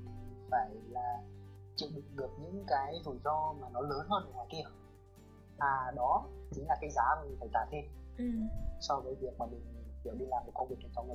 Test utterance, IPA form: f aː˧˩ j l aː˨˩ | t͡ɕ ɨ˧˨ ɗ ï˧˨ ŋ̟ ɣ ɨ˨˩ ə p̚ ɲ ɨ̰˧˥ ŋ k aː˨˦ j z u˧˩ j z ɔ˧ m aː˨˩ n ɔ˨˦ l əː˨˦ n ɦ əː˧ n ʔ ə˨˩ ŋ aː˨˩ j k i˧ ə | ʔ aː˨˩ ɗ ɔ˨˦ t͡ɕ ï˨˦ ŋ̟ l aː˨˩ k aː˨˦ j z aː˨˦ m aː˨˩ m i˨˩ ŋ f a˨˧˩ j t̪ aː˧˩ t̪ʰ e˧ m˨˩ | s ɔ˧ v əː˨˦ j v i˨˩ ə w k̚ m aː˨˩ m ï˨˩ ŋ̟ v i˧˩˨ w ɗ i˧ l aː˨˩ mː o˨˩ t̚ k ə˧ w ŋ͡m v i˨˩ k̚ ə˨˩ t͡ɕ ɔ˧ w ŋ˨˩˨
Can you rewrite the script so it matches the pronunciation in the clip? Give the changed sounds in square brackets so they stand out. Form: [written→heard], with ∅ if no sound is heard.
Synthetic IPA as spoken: f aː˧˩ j l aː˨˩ | t͡ɕ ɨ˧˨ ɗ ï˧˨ ŋ̟ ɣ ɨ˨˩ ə p̚ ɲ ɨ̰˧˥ ŋ k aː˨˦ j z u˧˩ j z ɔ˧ m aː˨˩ n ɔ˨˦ l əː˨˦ n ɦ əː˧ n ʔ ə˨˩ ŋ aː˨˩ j k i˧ ə | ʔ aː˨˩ ɗ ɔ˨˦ t͡ɕ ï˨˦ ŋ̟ l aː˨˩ k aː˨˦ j z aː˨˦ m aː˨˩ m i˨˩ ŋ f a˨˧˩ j t̪ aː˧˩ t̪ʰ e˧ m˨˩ | s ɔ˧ v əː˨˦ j v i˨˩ ə [w→∅] k̚ m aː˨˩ m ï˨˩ ŋ̟ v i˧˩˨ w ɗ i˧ l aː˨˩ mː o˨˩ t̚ k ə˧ w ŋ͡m v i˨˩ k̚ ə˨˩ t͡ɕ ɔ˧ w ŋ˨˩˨